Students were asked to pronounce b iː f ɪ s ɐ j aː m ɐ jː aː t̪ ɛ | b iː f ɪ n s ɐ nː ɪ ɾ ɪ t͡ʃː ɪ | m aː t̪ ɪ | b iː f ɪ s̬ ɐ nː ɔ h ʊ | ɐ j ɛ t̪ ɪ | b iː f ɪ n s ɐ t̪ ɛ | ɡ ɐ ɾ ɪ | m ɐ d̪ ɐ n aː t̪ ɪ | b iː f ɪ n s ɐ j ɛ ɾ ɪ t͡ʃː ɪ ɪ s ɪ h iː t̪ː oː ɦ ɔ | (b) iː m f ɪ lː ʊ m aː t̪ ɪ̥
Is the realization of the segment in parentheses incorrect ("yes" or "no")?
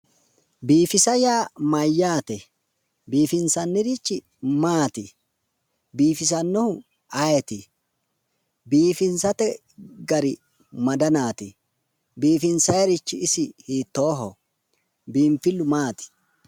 no